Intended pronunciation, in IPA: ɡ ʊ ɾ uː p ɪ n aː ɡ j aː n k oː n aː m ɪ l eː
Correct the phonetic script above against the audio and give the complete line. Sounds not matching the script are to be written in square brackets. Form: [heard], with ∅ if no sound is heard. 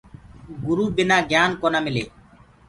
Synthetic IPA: ɡ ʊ ɾ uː [b] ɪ n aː ɡ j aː n k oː n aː m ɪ l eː